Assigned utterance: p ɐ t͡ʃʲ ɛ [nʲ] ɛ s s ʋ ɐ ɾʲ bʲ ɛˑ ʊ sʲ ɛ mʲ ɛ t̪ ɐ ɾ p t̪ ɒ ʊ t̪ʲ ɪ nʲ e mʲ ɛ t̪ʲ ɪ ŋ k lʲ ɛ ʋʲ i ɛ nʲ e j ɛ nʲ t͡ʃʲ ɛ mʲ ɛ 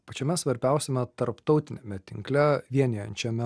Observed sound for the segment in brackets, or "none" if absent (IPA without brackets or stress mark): mʲ